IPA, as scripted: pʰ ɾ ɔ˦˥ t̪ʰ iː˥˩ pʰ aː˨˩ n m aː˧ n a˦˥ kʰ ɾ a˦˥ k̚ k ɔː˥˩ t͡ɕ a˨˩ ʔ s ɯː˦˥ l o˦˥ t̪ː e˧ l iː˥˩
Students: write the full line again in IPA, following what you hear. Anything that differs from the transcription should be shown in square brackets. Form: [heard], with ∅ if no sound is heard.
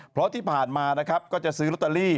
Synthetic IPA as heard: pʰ ɾ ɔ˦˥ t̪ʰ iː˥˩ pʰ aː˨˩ n m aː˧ n a˦˥ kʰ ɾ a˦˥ [p̚] k ɔː˥˩ t͡ɕ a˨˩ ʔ s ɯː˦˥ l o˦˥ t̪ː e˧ l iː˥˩